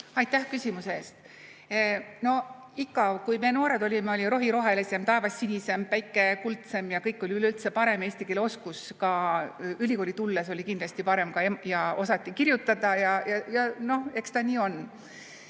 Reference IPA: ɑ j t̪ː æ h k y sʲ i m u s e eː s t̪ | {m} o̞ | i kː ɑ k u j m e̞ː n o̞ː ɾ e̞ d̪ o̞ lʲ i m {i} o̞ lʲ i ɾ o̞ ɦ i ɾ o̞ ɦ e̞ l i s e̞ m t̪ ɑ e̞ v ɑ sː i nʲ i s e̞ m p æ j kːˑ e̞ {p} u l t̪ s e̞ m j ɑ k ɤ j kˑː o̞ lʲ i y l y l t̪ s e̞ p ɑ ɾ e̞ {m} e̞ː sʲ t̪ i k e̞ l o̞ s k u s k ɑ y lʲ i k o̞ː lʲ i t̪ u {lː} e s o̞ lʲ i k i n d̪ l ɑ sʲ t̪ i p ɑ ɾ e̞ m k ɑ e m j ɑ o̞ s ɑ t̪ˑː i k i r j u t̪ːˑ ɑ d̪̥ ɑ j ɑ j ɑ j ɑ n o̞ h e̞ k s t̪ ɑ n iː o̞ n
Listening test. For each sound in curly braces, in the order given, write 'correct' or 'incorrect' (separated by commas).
incorrect, incorrect, incorrect, correct, correct